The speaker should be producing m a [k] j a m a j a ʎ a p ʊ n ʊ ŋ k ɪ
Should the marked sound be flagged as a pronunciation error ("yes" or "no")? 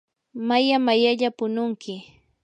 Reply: yes